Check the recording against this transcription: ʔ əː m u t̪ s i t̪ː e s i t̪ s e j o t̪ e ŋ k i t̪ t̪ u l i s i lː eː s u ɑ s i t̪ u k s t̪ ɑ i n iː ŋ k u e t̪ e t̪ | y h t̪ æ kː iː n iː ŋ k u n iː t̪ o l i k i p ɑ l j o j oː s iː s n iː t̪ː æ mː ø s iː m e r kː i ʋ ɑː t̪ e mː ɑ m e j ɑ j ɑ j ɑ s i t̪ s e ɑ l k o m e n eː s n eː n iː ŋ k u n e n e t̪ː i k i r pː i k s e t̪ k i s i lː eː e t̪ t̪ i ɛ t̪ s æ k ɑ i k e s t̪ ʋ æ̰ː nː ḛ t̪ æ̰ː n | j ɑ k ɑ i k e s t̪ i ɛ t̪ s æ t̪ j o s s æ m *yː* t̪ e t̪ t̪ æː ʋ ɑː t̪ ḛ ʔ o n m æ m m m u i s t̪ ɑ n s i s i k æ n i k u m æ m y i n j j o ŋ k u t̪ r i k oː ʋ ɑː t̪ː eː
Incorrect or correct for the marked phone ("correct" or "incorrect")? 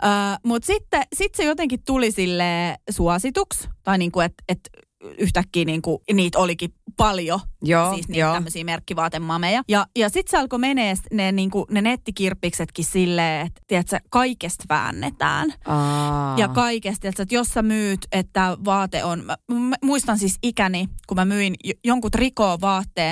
correct